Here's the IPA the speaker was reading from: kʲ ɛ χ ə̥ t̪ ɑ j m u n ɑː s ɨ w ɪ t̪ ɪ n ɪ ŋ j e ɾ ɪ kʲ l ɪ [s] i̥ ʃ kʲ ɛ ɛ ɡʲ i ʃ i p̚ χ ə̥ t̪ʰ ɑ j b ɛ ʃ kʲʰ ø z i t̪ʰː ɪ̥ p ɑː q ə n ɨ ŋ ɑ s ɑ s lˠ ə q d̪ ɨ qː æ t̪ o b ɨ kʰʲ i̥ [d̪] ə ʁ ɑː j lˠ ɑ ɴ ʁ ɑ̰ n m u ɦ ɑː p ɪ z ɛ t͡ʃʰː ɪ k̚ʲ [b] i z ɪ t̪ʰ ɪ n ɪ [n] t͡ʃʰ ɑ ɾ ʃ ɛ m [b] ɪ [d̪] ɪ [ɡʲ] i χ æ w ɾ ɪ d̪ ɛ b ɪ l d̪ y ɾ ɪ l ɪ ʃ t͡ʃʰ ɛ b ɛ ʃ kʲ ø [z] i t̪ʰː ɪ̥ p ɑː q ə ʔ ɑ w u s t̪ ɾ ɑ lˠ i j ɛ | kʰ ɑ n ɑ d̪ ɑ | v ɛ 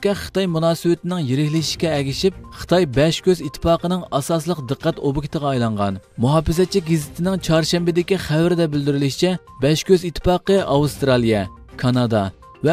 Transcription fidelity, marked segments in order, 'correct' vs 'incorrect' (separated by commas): incorrect, incorrect, incorrect, incorrect, correct, correct, incorrect, correct